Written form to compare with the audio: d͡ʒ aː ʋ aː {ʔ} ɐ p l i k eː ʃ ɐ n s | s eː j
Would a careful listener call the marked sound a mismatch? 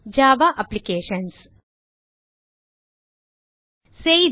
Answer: no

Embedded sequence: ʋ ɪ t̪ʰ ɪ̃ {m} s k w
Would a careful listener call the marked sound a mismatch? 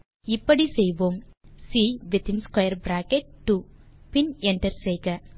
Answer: yes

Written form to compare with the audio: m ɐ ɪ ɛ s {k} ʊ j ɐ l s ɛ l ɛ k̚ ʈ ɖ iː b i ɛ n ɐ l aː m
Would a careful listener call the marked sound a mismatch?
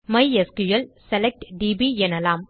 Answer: no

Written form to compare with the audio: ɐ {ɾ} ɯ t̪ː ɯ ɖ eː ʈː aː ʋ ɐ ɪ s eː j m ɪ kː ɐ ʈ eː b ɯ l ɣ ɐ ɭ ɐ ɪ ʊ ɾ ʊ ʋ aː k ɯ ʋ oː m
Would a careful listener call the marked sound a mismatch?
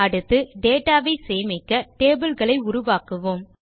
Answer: yes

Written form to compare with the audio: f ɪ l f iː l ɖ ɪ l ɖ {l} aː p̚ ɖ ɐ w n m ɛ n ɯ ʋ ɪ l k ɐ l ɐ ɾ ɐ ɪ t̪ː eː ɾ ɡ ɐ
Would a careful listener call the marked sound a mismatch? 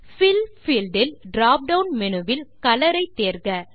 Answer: yes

